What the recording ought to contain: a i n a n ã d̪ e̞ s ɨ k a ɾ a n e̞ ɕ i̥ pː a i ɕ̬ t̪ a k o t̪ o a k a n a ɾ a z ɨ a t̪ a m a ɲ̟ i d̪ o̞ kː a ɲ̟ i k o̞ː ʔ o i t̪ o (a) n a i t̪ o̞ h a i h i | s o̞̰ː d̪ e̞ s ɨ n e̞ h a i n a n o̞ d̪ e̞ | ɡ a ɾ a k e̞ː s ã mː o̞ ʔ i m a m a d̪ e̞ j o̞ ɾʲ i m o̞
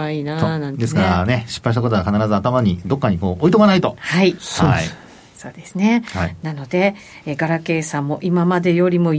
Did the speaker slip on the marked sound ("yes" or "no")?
no